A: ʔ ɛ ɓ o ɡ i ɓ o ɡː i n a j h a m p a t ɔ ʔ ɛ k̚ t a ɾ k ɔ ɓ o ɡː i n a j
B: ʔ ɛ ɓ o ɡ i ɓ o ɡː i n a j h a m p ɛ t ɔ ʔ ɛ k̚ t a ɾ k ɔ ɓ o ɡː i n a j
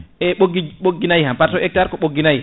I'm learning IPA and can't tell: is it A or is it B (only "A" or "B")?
A